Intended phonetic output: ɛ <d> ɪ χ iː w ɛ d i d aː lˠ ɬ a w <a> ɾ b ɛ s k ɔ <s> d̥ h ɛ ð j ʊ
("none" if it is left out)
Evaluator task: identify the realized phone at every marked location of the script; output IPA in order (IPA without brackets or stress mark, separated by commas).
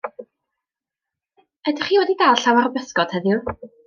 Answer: d, a, none